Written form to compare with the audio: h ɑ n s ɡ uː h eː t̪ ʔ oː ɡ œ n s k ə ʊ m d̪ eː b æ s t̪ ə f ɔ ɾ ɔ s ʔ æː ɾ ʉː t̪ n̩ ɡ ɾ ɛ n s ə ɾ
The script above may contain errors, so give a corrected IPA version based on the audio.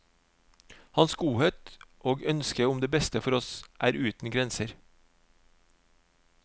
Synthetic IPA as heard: h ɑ n s ɡ uː h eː t̪ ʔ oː ɡ œ n s k ə ʊ m d̪ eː b ɛ s t̪ ə f ɔ ɾ ɔ s ʔ æː ɾ ʉː t̪ n̩ ɡ ɾ ɛ n s ə ɾ